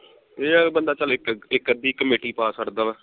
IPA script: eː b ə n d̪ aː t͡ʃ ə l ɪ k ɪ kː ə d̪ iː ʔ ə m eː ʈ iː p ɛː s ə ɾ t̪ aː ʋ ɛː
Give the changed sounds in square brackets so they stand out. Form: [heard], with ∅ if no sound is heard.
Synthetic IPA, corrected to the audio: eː b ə n d̪ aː t͡ʃ ə l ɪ k ɪ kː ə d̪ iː [k] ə m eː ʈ iː p [aː] s ə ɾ [d̪] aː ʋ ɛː

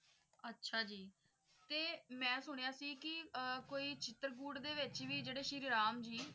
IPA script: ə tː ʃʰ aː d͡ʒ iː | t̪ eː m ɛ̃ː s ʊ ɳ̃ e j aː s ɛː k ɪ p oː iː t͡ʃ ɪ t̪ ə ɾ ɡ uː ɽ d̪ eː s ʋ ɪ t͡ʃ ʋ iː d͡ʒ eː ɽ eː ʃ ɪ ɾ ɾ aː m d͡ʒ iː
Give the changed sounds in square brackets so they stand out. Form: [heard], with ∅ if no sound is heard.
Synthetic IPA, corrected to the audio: ə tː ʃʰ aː d͡ʒ iː | t̪ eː m ɛ̃ː s ʊ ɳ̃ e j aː s [iː] k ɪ [k] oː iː t͡ʃ ɪ t̪ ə ɾ ɡ uː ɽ d̪ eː [∅] ʋ ɪ t͡ʃ ʋ iː d͡ʒ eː ɽ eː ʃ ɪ ɾ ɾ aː m d͡ʒ iː

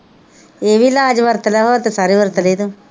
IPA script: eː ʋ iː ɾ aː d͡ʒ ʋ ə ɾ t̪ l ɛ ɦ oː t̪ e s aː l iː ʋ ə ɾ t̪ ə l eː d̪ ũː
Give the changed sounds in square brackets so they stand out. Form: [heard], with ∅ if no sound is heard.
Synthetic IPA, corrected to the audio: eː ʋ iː [l] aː d͡ʒ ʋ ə ɾ t̪ l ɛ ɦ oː t̪ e s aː [ɾ] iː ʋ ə ɾ t̪ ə l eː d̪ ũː

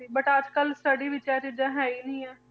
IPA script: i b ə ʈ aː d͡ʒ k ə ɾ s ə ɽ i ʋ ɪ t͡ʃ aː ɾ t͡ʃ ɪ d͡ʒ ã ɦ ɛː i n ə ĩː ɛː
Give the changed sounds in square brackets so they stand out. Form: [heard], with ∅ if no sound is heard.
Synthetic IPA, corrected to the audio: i b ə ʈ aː d͡ʒ k ə [l] s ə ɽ i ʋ ɪ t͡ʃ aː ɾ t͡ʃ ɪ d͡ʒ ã ɦ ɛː i n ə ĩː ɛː

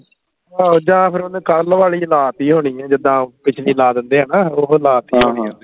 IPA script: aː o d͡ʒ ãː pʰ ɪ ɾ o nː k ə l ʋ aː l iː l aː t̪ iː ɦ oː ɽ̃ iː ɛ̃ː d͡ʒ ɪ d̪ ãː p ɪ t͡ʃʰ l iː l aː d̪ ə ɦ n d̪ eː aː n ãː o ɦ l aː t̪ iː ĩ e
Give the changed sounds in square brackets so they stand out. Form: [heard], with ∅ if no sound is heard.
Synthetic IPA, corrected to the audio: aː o d͡ʒ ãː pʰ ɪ ɾ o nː k ə l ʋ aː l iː l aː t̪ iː ɦ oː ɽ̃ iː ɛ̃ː d͡ʒ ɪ d̪ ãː p ɪ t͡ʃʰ l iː l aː d̪ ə [∅] n d̪ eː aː n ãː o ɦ l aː t̪ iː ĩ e

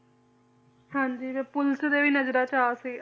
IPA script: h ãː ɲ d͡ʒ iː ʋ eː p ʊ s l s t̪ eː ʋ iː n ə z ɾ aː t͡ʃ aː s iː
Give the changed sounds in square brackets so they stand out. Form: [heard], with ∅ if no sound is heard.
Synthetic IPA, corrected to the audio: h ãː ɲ d͡ʒ iː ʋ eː p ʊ [∅] l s [d̪] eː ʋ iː n ə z ɾ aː t͡ʃ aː s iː

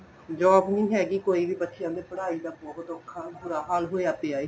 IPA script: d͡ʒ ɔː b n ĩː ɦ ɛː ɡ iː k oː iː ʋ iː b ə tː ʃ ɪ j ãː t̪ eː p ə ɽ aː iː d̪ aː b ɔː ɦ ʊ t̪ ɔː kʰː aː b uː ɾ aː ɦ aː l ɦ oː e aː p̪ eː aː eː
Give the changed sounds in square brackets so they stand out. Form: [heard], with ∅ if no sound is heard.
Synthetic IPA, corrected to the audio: d͡ʒ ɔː b n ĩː ɦ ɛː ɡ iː k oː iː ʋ iː b ə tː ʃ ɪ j ãː [d̪] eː p ə ɽ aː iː d̪ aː b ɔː ɦ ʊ t̪ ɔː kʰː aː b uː ɾ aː ɦ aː l ɦ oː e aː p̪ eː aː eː

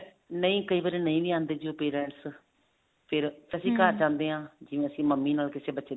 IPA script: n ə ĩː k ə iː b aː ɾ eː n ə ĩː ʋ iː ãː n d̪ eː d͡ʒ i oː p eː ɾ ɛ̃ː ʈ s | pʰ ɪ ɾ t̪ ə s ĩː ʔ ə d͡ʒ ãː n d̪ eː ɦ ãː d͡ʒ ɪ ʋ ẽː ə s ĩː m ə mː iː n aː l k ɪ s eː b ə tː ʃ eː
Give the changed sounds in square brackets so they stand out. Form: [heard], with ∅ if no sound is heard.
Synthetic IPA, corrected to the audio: n ə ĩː k ə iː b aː ɾ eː n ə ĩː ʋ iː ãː n d̪ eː d͡ʒ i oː p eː ɾ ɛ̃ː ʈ s | pʰ ɪ ɾ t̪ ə s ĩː [k] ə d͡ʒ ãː n d̪ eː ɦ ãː d͡ʒ ɪ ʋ ẽː ə s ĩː m ə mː iː n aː l k ɪ s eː b ə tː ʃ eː

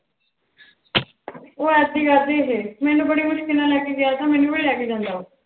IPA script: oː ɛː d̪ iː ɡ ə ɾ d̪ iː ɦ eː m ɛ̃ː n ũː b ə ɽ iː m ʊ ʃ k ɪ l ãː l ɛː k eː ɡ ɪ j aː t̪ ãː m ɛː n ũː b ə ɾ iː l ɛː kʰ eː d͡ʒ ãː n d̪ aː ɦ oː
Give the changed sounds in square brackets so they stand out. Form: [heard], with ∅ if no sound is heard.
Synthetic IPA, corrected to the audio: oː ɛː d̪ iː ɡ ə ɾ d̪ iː ɦ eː m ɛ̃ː n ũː b ə ɽ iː m ʊ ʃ k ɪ l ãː l ɛː k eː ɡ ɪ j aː t̪ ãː m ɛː n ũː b ə [ɽ] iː l ɛː [k] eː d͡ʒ ãː n d̪ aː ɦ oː

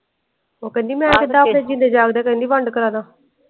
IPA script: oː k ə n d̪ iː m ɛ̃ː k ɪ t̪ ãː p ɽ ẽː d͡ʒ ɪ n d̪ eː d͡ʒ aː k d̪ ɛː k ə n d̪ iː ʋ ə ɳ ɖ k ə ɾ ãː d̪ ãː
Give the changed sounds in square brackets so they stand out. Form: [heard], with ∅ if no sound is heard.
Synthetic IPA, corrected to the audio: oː k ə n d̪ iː m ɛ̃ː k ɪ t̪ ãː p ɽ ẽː d͡ʒ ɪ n d̪ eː d͡ʒ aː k d̪ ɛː k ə n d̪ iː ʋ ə ɳ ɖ k ə ɾ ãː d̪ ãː

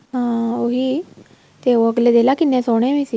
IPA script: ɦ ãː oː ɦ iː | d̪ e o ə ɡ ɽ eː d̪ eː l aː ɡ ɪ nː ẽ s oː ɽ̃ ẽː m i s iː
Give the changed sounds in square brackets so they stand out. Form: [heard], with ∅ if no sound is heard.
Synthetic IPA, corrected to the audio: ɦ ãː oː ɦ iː | [t̪] e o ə ɡ [l] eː d̪ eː l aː [k] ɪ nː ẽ s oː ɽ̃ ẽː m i s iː

